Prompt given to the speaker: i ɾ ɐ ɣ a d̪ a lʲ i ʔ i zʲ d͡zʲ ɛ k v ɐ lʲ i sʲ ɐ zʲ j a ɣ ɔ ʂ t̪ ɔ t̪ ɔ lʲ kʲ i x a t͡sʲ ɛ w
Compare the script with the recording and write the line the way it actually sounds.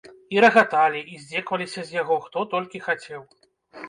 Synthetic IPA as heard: i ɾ ɐ ɣ a t̪ a lʲ i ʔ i zʲ d͡zʲ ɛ k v ɐ lʲ i sʲ ɐ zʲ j a ɣ ɔ x t̪ ɔ t̪ ɔ lʲ kʲ i x a t͡sʲ ɛ w